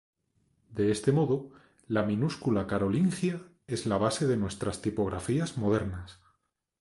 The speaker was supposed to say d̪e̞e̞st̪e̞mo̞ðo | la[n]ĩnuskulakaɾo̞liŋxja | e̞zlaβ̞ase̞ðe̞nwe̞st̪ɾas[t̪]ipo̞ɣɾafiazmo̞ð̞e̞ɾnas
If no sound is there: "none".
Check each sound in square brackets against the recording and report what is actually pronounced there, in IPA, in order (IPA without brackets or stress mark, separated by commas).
m, t̪